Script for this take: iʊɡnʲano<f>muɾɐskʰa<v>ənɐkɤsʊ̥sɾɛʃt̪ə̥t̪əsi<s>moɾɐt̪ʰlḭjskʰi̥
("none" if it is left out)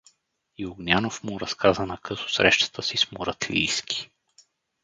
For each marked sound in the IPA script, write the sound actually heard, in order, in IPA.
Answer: f, z, s

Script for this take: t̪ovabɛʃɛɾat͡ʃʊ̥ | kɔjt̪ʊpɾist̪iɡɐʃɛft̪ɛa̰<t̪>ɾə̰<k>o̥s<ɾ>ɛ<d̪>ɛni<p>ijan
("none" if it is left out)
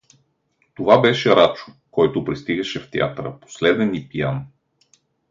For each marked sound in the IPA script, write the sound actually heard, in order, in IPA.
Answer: t̪, p, l, d̪, p

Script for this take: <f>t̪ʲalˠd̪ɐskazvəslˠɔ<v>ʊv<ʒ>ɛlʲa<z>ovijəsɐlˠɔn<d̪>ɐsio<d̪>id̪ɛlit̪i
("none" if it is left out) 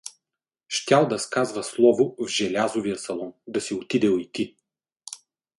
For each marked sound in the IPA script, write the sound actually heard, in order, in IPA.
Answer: ʃ, v, ʒ, z, d̪, t̪

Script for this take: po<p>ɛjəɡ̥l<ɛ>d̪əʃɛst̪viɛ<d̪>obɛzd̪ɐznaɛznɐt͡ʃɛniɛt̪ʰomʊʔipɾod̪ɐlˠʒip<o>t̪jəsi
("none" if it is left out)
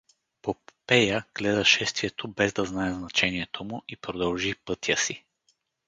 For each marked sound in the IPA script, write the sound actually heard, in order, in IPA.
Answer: p, ɛ, t̪, ɤ

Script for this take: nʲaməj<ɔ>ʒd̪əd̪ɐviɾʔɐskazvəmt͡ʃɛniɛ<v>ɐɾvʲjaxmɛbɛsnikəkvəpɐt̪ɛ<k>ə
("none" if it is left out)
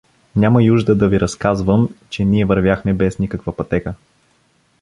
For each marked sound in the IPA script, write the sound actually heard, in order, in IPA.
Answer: u, v, k

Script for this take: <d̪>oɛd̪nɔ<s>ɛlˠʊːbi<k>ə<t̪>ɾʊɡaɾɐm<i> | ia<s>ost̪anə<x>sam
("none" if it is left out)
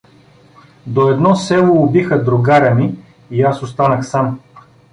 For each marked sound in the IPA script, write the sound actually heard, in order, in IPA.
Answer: d̪, s, x, d̪, i, s, x

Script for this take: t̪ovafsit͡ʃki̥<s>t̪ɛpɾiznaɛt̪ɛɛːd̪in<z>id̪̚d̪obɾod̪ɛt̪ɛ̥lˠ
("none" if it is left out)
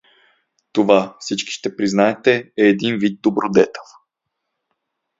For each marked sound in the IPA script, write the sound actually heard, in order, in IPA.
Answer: ʃ, v

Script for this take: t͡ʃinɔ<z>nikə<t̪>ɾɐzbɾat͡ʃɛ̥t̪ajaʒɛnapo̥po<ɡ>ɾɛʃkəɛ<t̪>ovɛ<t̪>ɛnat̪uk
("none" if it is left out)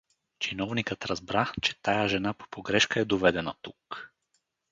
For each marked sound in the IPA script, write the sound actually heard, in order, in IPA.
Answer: v, t̪, ɡ, d̪, d̪

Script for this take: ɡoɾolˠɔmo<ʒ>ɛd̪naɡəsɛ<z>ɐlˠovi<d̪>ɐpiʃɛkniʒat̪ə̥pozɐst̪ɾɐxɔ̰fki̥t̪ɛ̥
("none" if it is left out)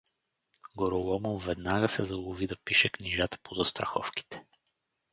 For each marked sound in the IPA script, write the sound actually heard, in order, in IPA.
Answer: v, z, d̪

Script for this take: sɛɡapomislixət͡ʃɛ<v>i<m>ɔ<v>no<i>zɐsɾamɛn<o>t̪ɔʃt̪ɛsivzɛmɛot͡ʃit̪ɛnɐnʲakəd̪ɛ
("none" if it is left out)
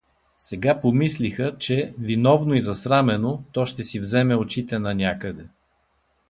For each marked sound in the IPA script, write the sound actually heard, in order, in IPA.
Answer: v, n, v, i, o

